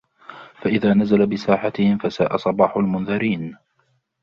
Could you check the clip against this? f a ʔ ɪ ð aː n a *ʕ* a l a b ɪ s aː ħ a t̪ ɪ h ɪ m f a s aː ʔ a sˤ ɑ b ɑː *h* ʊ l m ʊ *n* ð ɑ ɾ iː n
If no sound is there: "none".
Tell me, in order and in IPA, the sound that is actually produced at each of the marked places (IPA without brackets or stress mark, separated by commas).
z, ħ, n